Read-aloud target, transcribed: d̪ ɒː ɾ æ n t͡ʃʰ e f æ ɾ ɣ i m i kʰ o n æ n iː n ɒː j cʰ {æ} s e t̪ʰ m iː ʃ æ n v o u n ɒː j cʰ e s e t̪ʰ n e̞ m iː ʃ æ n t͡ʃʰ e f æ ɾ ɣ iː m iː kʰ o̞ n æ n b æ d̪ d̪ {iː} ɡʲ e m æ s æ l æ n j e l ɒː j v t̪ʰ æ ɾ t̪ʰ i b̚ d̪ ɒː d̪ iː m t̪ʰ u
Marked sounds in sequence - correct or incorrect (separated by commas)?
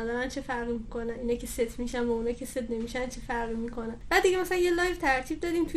incorrect, incorrect